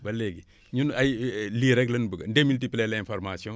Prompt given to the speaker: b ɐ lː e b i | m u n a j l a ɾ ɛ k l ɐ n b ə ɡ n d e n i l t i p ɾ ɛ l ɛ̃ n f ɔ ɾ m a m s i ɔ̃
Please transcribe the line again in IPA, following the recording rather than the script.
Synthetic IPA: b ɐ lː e ɡ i | ɲ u n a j l i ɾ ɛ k l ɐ n b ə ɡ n d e m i l t i p l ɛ l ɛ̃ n f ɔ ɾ m a s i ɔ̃